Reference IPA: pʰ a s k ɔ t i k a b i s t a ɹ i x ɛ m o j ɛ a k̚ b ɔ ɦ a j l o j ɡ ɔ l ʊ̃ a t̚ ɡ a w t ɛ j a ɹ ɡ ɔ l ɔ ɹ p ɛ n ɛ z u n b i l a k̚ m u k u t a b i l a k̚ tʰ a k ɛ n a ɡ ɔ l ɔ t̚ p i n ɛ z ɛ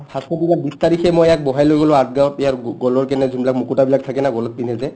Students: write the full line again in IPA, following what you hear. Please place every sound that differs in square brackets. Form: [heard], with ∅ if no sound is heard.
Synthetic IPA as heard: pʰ a s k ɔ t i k a b i s t a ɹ i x ɛ m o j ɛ a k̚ b ɔ ɦ a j l o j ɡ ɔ l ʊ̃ a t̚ ɡ a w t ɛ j a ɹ ɡ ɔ l ɔ ɹ [k] ɛ n ɛ z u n b i l a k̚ m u k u t a b i l a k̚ tʰ a k ɛ n a ɡ ɔ l ɔ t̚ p i n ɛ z ɛ